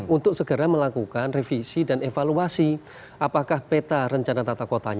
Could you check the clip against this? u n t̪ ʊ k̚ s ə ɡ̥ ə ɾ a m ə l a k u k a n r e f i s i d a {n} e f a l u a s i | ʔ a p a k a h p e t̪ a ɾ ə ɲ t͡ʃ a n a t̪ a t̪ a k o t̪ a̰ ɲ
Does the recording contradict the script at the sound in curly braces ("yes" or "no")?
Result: no